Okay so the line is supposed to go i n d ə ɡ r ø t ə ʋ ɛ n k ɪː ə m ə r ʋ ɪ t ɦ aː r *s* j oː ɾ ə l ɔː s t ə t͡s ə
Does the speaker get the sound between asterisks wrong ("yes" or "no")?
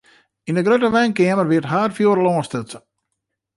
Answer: yes